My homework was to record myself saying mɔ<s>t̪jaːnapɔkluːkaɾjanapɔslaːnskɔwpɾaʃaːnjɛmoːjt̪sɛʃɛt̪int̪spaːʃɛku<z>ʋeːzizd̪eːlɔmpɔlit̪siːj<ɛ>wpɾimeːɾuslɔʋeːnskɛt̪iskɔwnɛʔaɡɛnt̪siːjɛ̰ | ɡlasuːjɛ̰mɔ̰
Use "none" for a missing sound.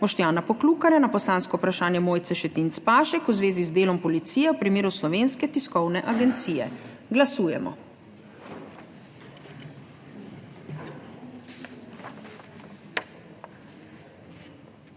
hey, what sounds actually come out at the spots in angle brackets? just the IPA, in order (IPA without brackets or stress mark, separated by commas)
ʃ, z, ɛ